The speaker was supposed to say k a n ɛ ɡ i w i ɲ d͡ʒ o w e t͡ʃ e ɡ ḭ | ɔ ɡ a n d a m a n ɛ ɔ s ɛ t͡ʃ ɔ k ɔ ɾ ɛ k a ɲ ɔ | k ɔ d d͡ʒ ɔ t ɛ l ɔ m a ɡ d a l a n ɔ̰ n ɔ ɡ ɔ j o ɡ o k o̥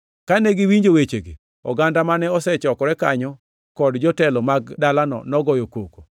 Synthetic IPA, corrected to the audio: k a n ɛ ɡ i w i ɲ d͡ʒ o w e t͡ʃ e ɡ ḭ | ɔ ɡ a n d a m a n ɛ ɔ s ɛ t͡ʃ ɔ k ɔ ɾ ɛ k a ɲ ɔ | k ɔ d d͡ʒ ɔ t ɛ l ɔ m a ɡ d a l a n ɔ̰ n ɔ ɡ ɔ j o k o k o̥